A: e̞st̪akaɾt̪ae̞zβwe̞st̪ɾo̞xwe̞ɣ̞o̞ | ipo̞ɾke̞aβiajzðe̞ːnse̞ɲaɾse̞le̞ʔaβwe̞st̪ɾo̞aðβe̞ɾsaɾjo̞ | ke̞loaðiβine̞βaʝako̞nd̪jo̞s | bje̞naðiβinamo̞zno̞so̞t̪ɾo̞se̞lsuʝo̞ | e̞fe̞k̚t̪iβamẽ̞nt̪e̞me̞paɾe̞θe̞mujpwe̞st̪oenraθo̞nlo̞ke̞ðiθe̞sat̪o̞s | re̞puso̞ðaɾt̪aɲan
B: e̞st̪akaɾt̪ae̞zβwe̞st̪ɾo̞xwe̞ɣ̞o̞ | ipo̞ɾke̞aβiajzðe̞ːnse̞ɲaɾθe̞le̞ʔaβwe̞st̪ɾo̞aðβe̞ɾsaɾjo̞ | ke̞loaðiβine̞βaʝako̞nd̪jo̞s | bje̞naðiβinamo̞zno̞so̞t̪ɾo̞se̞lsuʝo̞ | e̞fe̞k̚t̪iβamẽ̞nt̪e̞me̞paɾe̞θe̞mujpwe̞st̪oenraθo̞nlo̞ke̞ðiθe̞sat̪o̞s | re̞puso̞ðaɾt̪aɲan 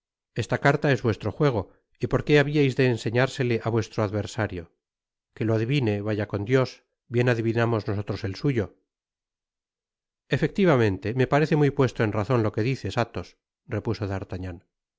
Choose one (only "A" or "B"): A